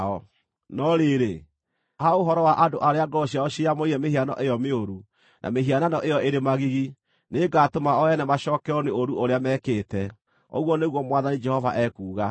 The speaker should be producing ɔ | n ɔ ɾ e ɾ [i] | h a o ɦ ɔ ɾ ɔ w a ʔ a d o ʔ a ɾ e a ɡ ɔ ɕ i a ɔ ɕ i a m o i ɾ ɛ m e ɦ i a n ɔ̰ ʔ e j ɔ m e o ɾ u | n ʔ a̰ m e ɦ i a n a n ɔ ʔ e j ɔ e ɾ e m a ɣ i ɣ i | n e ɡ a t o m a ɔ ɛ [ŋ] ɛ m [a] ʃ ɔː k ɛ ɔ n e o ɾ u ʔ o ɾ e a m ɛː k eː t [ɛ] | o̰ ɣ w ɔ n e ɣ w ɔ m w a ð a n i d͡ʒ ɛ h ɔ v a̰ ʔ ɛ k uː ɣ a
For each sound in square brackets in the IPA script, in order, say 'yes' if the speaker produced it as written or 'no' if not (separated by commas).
no, no, yes, yes